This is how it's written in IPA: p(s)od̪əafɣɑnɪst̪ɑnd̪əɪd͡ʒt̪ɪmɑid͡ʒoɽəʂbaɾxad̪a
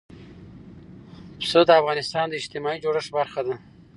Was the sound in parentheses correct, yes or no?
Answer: yes